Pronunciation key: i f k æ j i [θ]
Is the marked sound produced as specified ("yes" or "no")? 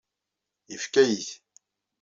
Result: yes